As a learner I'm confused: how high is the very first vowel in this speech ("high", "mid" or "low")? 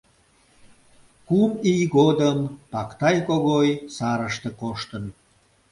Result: high